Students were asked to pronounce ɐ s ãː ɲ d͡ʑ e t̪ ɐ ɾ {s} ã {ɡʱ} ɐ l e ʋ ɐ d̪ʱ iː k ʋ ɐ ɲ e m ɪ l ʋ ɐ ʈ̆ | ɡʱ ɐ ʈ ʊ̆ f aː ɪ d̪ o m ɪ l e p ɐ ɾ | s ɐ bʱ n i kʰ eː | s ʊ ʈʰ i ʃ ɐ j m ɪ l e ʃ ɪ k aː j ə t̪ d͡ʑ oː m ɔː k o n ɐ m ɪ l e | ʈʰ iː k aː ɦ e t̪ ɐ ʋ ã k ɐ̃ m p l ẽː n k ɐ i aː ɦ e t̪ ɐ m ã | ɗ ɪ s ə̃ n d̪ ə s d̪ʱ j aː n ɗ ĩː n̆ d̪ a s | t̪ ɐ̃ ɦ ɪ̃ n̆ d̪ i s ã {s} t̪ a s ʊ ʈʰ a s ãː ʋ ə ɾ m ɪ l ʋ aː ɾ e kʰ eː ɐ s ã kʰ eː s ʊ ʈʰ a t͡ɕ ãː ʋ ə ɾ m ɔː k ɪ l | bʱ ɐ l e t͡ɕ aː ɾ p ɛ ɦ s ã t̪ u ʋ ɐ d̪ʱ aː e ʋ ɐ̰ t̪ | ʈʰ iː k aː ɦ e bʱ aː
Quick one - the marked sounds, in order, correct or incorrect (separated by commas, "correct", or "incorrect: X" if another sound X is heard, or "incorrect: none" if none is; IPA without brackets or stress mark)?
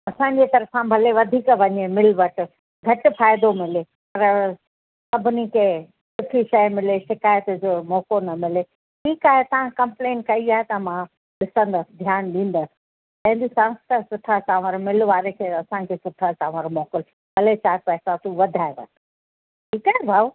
incorrect: f, incorrect: bʱ, correct